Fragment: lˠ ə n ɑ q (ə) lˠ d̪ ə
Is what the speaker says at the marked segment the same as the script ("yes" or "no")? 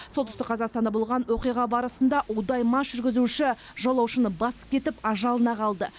no